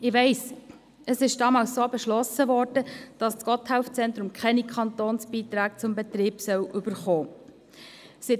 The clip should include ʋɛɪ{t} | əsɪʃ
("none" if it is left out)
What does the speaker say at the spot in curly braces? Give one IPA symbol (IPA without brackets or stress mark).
s